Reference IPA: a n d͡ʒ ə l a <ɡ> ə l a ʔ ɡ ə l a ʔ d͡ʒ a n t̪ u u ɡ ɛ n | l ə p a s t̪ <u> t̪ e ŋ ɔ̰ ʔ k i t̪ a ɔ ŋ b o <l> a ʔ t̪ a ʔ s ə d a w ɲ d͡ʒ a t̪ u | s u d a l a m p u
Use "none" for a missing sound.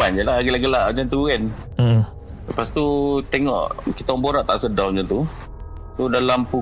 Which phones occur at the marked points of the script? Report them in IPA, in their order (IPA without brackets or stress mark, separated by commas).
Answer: ɡ, u, ɾ